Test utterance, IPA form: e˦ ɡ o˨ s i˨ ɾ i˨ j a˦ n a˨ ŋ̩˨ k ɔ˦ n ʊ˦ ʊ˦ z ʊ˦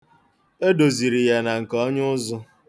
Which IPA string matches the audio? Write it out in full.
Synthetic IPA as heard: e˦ d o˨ z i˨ ɾ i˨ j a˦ n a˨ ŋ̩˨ k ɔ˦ ɲ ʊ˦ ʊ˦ z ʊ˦

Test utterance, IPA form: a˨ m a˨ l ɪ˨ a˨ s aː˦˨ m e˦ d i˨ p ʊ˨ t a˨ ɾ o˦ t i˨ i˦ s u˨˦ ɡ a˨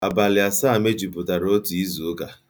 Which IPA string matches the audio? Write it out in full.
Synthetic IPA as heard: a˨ b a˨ l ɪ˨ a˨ s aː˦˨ m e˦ d͡ʒ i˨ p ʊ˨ t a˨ ɾ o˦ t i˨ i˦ z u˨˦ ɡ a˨

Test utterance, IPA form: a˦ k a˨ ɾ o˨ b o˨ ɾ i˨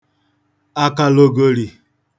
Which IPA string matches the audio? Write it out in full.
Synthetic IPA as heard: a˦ k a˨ l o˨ ɡ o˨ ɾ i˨

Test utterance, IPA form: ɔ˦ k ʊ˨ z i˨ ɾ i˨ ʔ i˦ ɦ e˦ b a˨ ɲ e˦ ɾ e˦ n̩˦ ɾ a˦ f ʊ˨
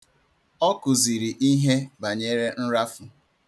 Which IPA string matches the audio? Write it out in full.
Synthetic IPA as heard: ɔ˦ k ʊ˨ z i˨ ɾ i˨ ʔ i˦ ɦ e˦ b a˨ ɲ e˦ ɾ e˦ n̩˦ ɾ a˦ f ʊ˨

